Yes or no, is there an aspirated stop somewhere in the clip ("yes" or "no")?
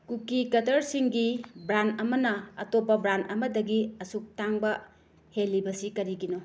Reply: no